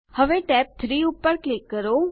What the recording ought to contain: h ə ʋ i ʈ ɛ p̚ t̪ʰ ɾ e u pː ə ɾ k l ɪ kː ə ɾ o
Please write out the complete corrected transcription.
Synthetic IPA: h ə ʋ e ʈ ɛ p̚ t̪ʰ ɾ i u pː ə ɾ k l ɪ kː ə ɾ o